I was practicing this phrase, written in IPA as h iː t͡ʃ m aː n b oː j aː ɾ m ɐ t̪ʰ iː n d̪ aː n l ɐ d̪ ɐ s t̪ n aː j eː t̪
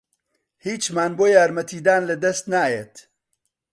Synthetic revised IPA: h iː t͡ʃ m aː n b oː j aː ɾ m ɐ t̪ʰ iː d̪ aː n l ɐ d̪ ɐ s t̪ n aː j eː t̪